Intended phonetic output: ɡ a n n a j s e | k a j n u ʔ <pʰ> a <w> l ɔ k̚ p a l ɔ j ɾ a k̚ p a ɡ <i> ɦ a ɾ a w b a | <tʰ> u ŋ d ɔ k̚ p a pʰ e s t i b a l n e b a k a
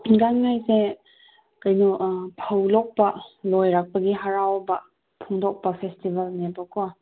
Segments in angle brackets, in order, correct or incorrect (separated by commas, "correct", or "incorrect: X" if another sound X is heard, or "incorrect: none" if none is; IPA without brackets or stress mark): correct, correct, correct, incorrect: pʰ